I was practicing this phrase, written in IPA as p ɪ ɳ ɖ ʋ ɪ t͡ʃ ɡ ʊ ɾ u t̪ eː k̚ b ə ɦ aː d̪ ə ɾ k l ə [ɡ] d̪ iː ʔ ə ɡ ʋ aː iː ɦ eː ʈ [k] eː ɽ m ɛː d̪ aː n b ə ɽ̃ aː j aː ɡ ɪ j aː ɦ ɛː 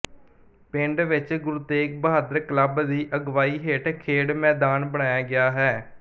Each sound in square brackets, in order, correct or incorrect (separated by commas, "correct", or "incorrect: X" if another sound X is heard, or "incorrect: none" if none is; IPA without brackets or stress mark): incorrect: b, incorrect: kʰ